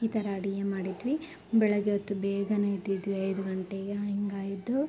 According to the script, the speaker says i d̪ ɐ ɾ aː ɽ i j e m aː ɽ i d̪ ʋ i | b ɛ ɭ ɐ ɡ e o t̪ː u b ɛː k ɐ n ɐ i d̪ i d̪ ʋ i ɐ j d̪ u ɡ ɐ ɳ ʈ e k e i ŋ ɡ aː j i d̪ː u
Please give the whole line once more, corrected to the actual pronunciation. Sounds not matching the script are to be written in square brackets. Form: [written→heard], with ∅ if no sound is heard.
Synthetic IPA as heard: i [d̪→t̪] ɐ ɾ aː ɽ i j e m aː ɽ i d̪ ʋ i | b ɛ ɭ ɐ ɡ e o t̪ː u b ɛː [k→ɡ] ɐ n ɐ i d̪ i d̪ ʋ i ɐ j d̪ u ɡ ɐ ɳ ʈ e [k→ɡ] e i ŋ ɡ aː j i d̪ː u